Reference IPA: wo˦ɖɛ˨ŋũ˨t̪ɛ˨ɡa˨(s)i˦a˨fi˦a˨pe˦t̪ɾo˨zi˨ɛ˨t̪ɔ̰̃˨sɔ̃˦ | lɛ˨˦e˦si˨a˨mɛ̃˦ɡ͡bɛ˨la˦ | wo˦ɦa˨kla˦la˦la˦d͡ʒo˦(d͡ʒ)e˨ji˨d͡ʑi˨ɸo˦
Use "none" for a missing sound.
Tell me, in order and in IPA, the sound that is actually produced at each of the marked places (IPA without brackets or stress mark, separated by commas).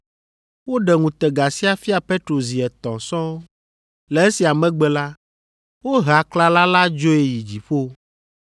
s, none